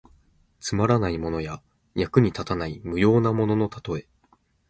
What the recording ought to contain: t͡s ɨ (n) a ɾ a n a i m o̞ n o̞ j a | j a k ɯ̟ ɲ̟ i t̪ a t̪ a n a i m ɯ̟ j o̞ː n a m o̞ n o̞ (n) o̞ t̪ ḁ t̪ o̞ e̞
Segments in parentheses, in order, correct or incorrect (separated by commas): incorrect, correct